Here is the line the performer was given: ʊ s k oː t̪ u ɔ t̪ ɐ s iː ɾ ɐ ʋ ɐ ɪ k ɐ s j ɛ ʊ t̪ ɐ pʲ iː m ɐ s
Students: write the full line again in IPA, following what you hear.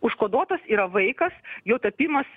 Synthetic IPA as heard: ʊ ʃ k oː d̪ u ɔ t̪ ɐ s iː ɾ ɐ ʋ ɐ ɪ k ɐ s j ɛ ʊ t̪ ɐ pʲ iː m ɐ s

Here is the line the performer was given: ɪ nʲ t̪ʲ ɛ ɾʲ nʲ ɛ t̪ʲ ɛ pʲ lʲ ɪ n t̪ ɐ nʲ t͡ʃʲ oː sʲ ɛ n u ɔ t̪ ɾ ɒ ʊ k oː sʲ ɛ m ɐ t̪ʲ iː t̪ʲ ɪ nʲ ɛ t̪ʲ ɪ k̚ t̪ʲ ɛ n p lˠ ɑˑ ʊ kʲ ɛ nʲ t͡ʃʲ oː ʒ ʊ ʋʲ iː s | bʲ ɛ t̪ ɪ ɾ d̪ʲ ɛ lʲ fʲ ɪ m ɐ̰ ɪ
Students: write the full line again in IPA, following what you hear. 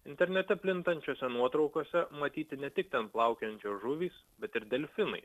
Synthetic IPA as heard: ɪ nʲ t̪ʲ ɛ ɾʲ nʲ ɛ t̪ʲ ɛ pʲ lʲ ɪ n t̪ ɐ nʲ t͡ʃʲ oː sʲ ɛ n u ɔ t̪ ɾ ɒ ʊ k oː sʲ ɛ m ɐ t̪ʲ iː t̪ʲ ɪ nʲ ɛ t̪ʲ ɪ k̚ t̪ʲ ɛ n p lˠ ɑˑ ʊ kʲ ɛ nʲ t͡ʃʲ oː ʒ ʊ ʋʲ iː s | bʲ ɛ t̪ ɪ ɾ d̪ʲ ɛ lʲ fʲ ɪ n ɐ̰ ɪ

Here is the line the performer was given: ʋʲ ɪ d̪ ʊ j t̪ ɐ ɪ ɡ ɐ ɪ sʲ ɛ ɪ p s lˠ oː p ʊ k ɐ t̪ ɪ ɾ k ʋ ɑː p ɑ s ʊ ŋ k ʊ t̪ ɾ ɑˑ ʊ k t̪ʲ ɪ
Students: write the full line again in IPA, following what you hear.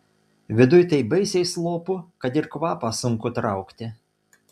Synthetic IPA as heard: ʋʲ ɪ d̪ ʊ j t̪ ɐ ɪ b ɐ ɪ sʲ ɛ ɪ s lˠ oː p ʊ k ɐ t̪ ɪ ɾ k ʋ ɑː p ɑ s ʊ ŋ k ʊ t̪ ɾ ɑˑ ʊ k t̪ʲ ɪ

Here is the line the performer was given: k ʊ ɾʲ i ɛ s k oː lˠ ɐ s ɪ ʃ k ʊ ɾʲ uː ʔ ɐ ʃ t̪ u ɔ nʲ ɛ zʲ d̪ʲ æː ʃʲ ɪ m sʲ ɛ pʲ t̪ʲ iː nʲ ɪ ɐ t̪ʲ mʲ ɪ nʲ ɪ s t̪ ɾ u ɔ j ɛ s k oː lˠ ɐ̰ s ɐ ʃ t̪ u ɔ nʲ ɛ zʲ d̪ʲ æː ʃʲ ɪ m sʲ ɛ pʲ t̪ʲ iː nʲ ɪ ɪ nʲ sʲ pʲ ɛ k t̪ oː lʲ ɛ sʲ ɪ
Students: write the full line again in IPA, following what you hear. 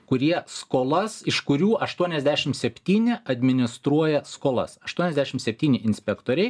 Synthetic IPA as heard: k ʊ ɾʲ i ɛ s k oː lˠ ɐ s ɪ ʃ k ʊ ɾʲ uː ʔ ɐ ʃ t̪ u ɔ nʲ ɛ zʲ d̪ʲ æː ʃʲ ɪ m sʲ ɛ pʲ t̪ʲ iː nʲ ɪ ɐ d̪ʲ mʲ ɪ nʲ ɪ s t̪ ɾ u ɔ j ɛ s k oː lˠ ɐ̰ s ɐ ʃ t̪ u ɔ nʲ ɛ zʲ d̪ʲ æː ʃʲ ɪ m sʲ ɛ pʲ t̪ʲ iː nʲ ɪ ɪ nʲ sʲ pʲ ɛ k t̪ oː ɾʲ ɛ ɪ

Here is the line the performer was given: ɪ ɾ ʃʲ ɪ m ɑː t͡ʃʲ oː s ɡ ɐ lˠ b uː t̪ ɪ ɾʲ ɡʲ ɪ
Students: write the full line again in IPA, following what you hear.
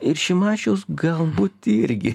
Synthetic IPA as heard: ɪ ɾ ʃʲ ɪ m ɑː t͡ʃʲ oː s ɡ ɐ lˠ b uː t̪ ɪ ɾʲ ɡʲ ɪ

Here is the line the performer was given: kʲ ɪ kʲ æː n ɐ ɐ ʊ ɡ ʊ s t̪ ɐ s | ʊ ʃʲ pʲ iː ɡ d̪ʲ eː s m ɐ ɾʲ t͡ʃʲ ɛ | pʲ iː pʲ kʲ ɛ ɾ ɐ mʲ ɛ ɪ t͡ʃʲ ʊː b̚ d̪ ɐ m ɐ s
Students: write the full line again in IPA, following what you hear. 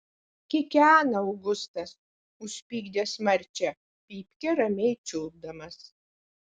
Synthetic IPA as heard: kʲ ɪ kʲ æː n ɐ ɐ ʊ ɡ ʊ s t̪ ɐ s | ʊ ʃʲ pʲ iː ɡ d̪ʲ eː s m ɐ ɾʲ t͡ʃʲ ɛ | pʲ iː pʲ kʲ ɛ ɾ ɐ mʲ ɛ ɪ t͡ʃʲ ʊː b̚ d̪ ɐ m ɐ s

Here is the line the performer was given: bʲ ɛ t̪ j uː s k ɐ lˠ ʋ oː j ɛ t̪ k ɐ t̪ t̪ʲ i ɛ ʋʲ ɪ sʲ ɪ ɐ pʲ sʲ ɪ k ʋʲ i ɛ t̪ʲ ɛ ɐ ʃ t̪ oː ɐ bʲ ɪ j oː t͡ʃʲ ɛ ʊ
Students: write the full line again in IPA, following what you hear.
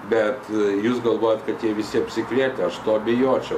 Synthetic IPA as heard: bʲ ɛ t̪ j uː s ɡ ɐ lˠ ʋ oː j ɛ t̪ k ɐ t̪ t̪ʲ i ɛ ʋʲ ɪ sʲ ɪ ɐ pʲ sʲ ɪ k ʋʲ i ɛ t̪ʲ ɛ ɐ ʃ t̪ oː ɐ bʲ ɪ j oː t͡ʃʲ ɛ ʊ

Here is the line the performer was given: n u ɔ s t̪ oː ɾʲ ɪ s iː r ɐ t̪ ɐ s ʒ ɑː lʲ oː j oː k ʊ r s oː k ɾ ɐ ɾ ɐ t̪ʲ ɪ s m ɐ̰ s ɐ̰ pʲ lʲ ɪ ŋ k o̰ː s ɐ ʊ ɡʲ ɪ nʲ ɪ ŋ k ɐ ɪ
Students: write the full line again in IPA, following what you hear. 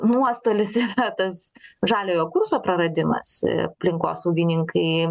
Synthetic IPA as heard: n u ɔ s t̪ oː lʲ ɪ s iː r ɐ t̪ ɐ s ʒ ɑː lʲ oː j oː k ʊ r s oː p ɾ ɐ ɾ ɐ d̪ʲ ɪ m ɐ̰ s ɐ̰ pʲ lʲ ɪ ŋ k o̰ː s ɐ ʊ ɡʲ ɪ nʲ ɪ ŋ k ɐ ɪ

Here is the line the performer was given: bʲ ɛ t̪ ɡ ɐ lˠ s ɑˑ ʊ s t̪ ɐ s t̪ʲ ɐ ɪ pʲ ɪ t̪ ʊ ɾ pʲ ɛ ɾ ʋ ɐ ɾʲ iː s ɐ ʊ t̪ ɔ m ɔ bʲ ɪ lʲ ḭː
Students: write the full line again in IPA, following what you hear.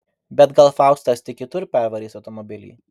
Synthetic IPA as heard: bʲ ɛ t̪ ɡ ɐ lˠ f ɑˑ ʊ s t̪ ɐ s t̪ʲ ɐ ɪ kʲ ɪ t̪ ʊ ɾ pʲ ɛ ɾ ʋ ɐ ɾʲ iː s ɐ ʊ t̪ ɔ m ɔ bʲ ɪ lʲ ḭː

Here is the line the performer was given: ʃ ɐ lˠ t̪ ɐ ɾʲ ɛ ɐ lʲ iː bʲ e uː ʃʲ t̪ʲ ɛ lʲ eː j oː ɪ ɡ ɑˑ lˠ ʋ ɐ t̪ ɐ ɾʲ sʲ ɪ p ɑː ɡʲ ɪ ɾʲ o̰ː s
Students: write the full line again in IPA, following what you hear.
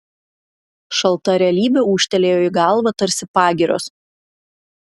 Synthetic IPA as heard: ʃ ɐ lˠ t̪ ɐ ɾʲ ɛ ɐ lʲ iː bʲ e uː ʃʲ t̪ʲ ɛ lʲ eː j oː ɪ ɡ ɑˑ lˠ ʋ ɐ t̪ ɐ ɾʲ sʲ ɪ p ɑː ɡʲ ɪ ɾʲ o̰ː s

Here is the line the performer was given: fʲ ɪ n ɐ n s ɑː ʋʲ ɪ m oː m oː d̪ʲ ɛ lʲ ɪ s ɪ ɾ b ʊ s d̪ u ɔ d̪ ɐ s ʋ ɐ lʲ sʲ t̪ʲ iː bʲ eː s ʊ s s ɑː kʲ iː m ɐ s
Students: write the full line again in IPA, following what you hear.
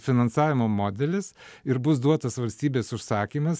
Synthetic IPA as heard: fʲ ɪ n ɐ n s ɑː ʋʲ ɪ m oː m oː d̪ʲ ɛ lʲ ɪ s ɪ ɾ b ʊ s d̪ u ɔ t̪ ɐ s ʋ ɐ lʲ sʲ t̪ʲ iː bʲ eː s ʊ ʃ s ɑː kʲ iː m ɐ s

